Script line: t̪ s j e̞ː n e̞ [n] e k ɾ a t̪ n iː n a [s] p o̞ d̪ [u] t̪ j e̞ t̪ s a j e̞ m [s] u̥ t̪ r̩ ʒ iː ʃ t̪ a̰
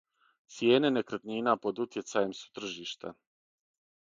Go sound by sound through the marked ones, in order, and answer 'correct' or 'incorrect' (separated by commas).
correct, incorrect, correct, correct